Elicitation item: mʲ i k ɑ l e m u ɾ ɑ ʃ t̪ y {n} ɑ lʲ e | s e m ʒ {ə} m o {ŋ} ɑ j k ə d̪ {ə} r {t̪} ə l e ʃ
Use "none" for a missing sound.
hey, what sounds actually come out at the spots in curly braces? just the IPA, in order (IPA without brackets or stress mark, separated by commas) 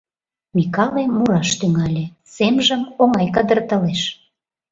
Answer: ŋ, ə, ŋ, ə, t̪